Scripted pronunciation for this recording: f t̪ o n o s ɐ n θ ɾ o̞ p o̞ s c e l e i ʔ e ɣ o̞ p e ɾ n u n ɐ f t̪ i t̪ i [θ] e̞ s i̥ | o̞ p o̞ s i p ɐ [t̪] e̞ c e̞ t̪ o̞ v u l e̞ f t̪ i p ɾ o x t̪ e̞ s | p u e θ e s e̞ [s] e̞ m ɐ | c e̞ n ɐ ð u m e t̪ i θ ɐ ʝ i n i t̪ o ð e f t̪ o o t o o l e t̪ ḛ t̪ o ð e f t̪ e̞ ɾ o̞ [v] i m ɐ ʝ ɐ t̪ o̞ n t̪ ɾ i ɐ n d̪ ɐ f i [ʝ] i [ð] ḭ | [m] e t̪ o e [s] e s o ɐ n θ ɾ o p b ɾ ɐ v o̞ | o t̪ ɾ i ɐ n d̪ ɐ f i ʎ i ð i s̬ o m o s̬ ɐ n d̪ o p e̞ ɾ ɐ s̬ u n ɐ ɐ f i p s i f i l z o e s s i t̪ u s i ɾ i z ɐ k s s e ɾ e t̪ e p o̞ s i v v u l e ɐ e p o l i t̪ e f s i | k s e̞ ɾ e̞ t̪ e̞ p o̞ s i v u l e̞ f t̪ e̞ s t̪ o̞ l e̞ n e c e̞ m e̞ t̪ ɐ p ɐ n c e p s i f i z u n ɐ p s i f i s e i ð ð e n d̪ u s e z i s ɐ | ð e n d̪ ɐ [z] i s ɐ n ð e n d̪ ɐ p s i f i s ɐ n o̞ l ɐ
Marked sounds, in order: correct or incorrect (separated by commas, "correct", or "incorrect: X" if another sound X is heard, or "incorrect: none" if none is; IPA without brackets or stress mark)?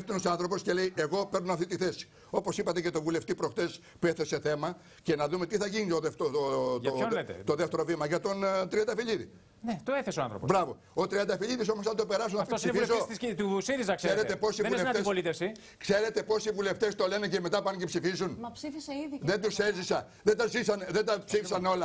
correct, correct, incorrect: θ, correct, incorrect: ʎ, correct, incorrect: n, incorrect: θ, correct